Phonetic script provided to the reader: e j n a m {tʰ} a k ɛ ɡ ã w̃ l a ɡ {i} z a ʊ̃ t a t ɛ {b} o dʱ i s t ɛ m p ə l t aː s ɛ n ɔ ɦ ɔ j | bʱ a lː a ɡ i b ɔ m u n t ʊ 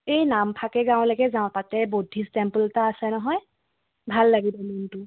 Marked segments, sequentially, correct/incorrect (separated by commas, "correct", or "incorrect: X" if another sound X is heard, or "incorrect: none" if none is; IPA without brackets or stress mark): incorrect: pʰ, incorrect: ɛ, correct